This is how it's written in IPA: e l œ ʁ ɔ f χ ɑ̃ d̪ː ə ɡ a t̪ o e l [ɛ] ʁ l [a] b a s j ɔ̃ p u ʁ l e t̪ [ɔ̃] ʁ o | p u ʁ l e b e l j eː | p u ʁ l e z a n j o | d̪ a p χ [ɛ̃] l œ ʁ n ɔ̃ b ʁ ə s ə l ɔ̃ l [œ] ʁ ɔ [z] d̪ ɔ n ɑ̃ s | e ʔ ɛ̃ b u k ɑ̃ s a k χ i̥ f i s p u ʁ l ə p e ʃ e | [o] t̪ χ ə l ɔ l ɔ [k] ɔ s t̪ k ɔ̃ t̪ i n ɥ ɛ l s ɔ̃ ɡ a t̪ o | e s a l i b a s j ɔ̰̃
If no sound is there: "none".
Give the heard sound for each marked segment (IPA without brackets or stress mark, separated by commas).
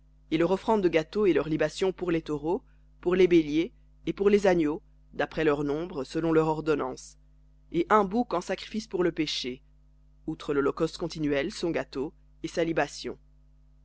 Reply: œ, i, ɔ, ɛ, œ, ʁ, u, k